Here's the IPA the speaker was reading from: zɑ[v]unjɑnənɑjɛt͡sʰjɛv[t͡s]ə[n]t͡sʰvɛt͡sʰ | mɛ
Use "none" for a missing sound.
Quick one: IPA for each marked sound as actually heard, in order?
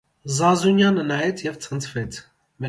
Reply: z, t͡sʰ, n

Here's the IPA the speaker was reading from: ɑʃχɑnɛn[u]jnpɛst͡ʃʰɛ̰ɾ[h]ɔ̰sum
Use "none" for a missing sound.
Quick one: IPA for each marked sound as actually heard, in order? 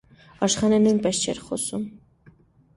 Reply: u, χ

